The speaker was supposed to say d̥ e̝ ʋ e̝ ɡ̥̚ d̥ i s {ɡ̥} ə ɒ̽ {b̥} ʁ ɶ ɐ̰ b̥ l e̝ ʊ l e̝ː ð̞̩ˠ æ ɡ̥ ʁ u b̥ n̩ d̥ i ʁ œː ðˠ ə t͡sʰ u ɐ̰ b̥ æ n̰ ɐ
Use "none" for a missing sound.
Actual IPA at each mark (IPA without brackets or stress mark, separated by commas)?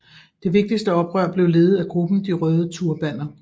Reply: d̥, b̥